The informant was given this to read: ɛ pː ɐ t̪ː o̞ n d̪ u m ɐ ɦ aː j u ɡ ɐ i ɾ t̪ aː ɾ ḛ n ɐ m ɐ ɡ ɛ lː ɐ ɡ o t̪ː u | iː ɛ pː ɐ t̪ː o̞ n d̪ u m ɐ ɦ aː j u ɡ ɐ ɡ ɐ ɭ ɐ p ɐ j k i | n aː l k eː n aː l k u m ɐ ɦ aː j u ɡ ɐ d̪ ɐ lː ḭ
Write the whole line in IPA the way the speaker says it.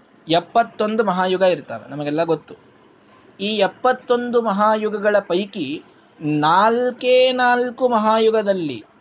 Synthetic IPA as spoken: ɛ pː ɐ t̪ː o̞ n d̪ u m ɐ ɦ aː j u ɡ ɐ i ɾ t̪ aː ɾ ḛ n ɐ m ɐ ɡ ɛ lː ɐ ɡ o t̪ː u | iː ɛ pː ɐ t̪ː o̞ n d̪ u m ɐ ɦ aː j u ɡ ɐ ɡ ɐ ɭ ɐ p ɐ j k i | n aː l k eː n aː l k u m ɐ ɦ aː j u ɡ ɐ d̪ ɐ lː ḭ